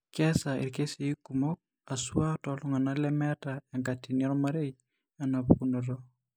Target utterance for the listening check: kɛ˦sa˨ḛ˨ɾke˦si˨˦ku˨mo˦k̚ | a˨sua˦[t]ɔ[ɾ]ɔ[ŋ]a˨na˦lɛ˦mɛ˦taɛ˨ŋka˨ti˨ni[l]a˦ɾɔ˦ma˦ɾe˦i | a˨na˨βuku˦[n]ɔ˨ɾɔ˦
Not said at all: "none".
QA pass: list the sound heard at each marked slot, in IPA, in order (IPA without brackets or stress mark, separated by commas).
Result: t, l, ŋ, none, n